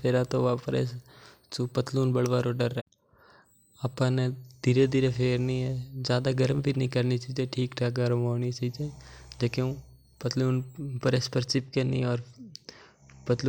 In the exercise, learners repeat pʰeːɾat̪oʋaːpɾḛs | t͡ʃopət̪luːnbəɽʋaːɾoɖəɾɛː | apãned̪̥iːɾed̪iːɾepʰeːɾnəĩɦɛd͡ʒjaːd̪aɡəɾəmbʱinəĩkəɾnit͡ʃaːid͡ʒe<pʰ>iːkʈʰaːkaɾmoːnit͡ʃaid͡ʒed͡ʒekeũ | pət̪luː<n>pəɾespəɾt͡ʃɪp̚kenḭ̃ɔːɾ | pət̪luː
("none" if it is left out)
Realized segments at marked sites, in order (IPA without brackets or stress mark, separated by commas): ʈʰ, n